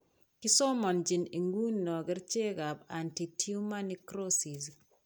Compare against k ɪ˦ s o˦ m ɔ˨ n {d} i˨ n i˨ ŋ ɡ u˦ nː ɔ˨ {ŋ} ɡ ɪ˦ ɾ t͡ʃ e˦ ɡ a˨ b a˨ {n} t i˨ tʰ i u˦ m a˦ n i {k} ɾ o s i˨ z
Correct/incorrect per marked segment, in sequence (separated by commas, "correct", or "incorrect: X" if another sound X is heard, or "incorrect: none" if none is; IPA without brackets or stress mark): incorrect: d͡ʒ, incorrect: none, correct, correct